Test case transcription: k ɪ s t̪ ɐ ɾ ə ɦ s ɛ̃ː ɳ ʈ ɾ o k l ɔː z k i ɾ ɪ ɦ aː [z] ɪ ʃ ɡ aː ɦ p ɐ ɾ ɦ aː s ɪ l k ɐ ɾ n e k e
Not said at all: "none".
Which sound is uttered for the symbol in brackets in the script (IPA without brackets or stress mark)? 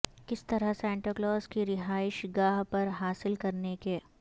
none